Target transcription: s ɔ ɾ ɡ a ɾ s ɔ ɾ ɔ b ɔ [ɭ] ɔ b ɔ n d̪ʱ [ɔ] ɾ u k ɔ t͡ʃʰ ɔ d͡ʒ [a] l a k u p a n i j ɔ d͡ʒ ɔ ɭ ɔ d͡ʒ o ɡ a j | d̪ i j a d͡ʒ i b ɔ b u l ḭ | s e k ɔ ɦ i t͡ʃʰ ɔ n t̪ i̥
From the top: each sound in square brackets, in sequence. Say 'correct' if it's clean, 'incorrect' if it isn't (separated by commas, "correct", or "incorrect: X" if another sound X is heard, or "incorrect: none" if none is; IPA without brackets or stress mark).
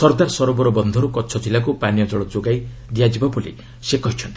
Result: incorrect: ɾ, correct, incorrect: i